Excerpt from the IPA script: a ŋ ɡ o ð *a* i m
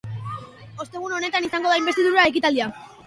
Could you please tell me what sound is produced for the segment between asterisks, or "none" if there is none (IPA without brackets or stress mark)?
a